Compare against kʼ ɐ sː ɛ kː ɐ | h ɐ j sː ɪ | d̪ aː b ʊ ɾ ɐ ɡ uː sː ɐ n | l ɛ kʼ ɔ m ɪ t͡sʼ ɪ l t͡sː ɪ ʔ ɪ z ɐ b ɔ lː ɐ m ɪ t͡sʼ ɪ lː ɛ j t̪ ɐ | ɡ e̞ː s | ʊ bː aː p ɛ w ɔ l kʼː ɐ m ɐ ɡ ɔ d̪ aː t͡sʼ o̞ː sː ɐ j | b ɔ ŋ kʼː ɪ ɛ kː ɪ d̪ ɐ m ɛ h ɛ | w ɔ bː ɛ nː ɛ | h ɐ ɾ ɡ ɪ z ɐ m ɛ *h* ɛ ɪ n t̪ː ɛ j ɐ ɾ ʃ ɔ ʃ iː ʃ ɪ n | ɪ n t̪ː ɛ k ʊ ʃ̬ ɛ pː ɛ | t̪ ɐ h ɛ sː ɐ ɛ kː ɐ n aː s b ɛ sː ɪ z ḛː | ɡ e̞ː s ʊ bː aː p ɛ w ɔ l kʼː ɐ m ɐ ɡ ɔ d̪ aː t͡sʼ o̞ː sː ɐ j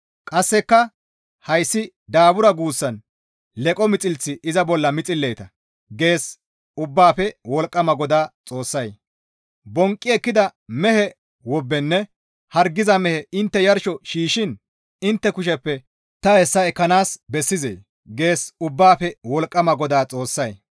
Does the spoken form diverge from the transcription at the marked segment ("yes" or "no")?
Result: no